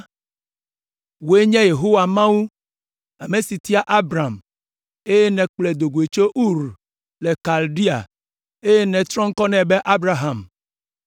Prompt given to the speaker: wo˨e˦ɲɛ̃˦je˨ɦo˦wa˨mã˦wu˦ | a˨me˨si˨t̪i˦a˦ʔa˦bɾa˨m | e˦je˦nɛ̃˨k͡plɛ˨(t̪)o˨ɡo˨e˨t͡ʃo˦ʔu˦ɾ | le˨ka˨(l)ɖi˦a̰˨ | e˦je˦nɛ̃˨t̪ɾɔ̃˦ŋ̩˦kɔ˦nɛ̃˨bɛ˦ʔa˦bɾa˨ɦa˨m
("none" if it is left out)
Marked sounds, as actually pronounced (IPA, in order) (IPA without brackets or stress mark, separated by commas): d̪, l